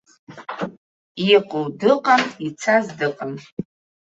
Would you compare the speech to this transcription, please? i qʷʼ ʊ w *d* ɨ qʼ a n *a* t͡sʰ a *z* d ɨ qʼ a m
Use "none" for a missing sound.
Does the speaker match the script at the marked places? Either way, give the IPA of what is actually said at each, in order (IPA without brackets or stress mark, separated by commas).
d, i, z